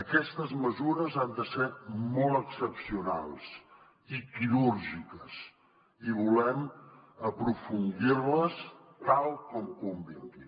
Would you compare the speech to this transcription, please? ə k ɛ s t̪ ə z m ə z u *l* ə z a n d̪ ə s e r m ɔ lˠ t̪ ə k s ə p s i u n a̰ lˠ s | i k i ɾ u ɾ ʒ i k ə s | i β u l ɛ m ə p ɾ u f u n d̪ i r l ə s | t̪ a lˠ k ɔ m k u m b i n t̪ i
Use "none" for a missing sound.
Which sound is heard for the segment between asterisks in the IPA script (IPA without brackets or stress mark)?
ɾ